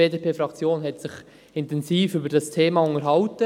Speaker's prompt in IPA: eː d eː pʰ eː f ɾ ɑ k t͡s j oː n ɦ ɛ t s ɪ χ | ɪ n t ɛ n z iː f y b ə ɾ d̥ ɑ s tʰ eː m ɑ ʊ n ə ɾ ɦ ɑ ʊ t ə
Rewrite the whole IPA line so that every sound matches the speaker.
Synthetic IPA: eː d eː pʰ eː f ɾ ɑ k t͡s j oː n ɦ ɛ t s ɪ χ | ɪ n t ɛ n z iː f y b ə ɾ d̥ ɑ s tʰ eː m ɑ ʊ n ə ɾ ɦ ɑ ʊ t ə